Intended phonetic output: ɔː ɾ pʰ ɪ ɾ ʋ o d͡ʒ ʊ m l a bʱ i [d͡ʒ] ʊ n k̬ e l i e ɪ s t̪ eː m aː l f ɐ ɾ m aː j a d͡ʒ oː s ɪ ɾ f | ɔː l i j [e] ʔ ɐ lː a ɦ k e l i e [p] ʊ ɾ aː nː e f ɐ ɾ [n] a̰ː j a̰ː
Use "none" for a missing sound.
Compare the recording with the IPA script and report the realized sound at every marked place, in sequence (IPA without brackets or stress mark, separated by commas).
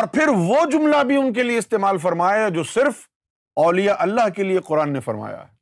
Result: none, a, q, m